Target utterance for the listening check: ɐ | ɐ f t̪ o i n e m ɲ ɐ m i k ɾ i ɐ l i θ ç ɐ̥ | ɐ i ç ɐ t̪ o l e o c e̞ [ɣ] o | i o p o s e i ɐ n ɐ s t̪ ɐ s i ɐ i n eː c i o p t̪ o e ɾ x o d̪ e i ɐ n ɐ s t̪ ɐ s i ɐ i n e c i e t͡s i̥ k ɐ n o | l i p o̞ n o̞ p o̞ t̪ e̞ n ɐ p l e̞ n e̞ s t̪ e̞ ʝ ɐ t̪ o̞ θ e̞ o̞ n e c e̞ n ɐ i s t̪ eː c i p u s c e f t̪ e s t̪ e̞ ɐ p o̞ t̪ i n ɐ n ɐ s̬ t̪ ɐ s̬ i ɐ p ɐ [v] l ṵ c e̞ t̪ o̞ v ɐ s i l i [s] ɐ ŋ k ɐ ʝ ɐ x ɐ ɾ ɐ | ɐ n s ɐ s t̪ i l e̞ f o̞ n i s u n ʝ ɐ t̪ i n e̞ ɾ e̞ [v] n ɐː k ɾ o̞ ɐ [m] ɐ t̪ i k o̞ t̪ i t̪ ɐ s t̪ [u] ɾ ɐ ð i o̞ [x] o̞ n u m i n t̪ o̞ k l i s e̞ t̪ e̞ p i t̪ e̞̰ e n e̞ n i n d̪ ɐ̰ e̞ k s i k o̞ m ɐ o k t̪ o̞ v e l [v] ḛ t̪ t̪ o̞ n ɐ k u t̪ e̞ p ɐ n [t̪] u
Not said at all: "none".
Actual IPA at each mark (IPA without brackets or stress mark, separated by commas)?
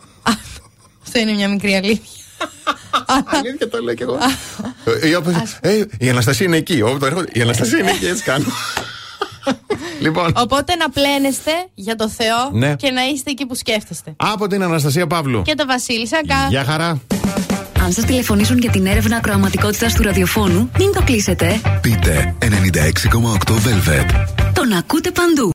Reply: ɣ, v, s, v, m, u, f, v, d̪